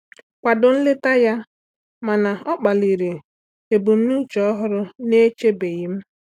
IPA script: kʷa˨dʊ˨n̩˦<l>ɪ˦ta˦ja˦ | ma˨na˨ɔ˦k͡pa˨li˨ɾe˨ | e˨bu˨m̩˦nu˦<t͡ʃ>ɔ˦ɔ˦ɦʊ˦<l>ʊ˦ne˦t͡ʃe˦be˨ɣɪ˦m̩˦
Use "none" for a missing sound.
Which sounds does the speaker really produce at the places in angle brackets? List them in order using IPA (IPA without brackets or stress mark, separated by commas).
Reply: l, t͡ʃ, ɾ